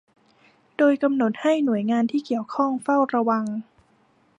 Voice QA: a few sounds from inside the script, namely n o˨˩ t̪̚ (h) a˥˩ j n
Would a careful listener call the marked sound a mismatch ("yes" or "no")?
no